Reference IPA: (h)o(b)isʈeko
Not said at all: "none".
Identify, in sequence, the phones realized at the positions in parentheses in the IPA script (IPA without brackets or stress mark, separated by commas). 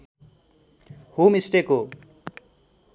h, m